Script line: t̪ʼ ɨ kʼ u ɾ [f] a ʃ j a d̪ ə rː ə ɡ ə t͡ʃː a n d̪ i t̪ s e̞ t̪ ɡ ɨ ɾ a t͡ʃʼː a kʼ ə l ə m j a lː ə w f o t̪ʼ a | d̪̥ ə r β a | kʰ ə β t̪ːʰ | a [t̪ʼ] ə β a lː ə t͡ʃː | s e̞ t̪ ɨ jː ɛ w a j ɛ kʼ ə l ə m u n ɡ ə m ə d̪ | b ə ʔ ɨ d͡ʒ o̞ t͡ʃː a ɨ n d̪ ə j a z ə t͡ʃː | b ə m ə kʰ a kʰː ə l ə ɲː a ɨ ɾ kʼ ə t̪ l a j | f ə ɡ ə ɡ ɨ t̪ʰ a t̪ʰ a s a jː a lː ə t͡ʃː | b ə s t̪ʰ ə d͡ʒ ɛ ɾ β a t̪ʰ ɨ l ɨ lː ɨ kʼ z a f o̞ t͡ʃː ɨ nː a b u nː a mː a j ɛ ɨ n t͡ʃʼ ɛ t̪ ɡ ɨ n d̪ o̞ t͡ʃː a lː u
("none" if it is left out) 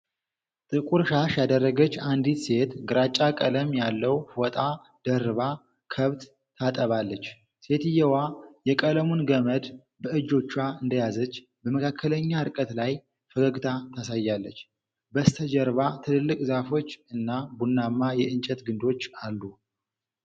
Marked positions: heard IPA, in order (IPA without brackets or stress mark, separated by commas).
ʃ, t̪ʼ